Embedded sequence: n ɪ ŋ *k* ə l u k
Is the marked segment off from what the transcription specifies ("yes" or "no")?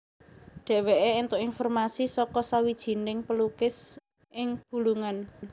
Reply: yes